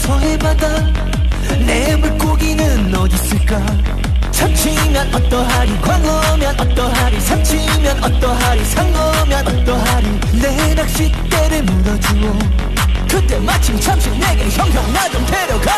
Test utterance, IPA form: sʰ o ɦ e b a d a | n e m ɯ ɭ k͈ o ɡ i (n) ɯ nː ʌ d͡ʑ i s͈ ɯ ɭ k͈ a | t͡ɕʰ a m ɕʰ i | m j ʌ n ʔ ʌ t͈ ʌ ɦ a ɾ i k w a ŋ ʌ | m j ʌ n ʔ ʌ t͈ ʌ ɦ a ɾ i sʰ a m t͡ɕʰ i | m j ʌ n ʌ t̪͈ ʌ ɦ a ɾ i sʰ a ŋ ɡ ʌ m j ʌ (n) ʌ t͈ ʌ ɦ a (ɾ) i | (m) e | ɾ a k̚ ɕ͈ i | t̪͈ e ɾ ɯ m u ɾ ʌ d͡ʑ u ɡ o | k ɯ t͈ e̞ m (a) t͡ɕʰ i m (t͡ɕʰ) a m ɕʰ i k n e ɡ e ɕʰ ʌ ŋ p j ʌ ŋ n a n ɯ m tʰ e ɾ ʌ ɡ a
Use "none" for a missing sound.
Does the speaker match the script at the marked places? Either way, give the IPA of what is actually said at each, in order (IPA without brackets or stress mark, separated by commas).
n, n, ɾ, n, a, t͡ɕʰ